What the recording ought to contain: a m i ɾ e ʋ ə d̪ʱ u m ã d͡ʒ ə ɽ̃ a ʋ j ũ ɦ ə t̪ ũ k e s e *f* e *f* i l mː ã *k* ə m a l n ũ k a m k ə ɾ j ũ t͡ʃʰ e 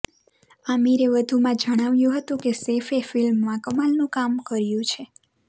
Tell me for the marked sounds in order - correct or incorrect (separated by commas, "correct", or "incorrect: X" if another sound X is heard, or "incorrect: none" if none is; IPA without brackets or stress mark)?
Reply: correct, correct, correct